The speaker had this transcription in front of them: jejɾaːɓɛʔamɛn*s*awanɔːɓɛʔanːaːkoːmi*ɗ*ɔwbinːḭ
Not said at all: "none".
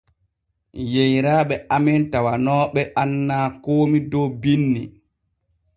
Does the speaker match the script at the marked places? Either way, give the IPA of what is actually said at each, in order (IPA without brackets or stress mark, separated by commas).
t, d